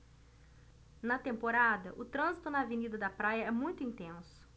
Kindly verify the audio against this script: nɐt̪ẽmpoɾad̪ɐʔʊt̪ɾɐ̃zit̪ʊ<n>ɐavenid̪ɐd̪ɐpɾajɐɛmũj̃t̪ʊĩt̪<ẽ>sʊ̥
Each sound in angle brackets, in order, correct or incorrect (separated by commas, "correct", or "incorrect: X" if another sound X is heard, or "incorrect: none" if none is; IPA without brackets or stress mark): correct, correct